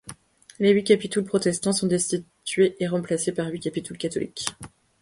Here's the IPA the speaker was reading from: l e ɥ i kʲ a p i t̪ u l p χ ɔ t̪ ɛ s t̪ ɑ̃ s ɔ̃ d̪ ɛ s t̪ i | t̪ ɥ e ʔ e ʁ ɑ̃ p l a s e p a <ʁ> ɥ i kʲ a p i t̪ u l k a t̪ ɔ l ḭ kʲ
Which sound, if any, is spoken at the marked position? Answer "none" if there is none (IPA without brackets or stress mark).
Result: ʁ